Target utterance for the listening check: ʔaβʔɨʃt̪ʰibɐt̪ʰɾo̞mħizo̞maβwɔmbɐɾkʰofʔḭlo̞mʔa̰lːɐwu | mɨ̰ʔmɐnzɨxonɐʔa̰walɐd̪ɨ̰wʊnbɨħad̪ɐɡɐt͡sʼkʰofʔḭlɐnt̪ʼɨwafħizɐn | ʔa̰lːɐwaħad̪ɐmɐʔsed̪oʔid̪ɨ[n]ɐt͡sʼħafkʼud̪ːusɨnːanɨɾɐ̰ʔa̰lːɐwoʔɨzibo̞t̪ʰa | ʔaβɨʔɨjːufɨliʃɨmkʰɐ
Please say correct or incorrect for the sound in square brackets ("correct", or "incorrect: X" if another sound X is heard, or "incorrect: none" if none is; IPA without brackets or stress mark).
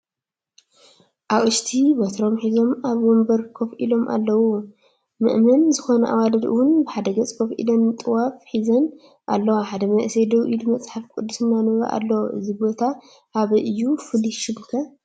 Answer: incorrect: m